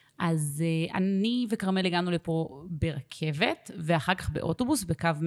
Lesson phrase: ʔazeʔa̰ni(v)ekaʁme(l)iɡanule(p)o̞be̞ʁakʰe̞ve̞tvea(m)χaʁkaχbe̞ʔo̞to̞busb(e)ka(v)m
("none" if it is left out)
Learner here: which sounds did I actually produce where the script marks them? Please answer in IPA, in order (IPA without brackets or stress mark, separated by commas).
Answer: v, l, p, none, e, v